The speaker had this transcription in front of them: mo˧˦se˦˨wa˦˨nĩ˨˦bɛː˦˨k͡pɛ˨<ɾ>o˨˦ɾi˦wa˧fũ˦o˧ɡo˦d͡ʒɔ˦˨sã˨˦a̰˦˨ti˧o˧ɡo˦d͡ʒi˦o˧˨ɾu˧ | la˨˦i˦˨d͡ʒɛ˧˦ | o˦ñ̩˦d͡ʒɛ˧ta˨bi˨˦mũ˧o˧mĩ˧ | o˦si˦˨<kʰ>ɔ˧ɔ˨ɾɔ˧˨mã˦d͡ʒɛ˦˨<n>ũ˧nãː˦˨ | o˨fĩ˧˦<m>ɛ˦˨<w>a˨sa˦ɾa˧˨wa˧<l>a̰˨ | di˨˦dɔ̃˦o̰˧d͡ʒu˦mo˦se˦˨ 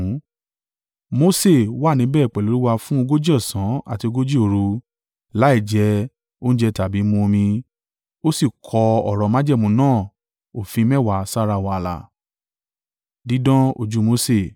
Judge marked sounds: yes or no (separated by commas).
no, yes, no, yes, yes, yes